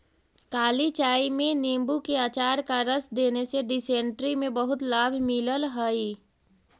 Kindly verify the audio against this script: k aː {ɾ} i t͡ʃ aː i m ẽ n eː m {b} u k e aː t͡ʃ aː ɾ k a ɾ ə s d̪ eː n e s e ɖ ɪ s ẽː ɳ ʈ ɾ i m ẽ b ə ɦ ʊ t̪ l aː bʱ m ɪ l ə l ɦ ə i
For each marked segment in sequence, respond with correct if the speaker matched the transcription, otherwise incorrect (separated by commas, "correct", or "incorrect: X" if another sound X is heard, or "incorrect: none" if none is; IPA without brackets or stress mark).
incorrect: l, correct